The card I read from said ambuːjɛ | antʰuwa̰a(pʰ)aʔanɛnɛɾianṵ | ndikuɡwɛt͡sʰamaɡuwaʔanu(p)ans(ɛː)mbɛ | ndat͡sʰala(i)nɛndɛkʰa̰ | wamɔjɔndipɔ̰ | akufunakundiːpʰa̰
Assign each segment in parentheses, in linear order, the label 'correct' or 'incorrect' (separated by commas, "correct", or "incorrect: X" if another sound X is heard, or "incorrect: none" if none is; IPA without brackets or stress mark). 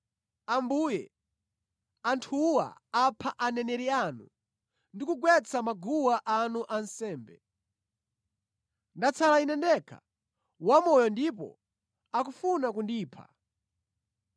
correct, incorrect: ʔ, correct, correct